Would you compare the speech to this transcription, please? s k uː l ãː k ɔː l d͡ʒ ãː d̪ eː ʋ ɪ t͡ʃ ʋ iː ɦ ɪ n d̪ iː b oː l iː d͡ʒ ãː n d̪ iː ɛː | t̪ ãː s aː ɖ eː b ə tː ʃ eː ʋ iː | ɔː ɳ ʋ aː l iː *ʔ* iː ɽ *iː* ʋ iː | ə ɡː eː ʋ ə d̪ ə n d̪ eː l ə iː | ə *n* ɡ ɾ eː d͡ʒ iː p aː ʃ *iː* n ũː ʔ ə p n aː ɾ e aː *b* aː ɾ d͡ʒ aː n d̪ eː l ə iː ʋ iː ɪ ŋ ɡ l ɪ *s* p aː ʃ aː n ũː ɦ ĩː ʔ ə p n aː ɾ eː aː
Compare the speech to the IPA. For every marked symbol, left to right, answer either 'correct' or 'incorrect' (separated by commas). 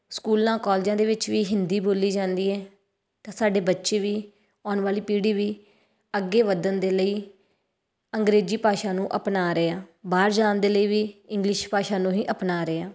incorrect, correct, incorrect, incorrect, correct, incorrect